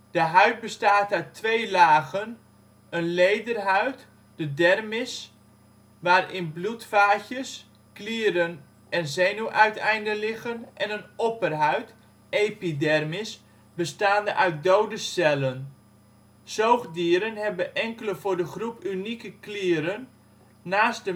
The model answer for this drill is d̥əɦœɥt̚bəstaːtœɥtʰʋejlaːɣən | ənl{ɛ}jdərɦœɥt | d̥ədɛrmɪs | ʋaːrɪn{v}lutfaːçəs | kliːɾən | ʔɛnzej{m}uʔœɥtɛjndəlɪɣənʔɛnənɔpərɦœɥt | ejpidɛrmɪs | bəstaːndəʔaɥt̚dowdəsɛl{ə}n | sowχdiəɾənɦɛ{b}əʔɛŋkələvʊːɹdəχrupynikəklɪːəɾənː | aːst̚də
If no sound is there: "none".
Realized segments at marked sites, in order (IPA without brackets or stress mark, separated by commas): e, b, n, ə, b